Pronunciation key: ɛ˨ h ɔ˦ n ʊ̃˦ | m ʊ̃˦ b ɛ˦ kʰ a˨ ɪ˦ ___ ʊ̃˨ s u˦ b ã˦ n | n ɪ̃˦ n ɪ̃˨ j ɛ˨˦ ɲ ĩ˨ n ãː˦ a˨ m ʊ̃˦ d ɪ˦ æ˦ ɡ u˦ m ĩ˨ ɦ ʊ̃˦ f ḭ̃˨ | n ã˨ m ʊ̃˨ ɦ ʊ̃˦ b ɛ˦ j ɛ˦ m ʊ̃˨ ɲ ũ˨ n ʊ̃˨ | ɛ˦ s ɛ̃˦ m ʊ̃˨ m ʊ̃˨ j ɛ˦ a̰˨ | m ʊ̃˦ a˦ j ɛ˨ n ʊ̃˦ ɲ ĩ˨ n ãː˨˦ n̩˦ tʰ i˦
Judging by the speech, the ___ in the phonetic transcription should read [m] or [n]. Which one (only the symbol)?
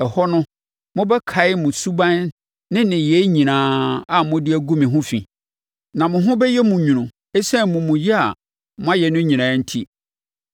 m